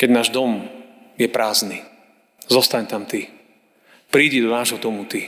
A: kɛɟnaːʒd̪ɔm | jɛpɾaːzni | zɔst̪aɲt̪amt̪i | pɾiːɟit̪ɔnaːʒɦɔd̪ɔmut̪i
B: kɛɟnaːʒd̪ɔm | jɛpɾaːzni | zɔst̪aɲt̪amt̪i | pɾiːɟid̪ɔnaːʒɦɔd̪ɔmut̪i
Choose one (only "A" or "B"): B